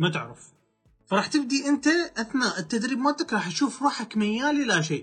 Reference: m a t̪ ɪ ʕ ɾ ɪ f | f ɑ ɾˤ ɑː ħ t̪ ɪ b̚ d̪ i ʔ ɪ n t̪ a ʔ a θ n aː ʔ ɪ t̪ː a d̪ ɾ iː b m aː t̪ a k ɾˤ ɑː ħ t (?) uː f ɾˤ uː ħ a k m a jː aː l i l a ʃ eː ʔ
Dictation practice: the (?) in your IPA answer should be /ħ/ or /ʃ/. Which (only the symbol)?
ʃ